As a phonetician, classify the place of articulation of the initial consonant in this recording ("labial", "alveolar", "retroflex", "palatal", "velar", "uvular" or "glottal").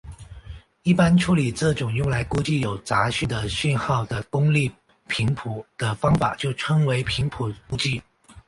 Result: labial